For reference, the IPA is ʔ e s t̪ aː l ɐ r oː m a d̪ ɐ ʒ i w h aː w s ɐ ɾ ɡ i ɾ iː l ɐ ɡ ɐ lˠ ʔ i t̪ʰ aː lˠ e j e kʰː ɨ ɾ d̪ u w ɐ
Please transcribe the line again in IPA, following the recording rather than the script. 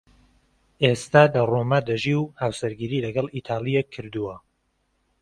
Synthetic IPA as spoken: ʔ e s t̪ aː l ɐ r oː m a d̪ ɐ ʒ i w h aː w s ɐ ɾ ɡ i ɾ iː l ɐ ɡ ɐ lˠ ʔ i t̪ʰ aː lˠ i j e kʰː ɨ ɾ d̪ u w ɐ